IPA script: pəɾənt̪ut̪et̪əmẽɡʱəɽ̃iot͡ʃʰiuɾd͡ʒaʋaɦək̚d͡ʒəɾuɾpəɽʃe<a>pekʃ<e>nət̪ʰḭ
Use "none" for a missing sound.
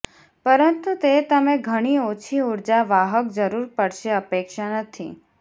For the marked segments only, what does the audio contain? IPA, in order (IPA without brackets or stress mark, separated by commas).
ə, a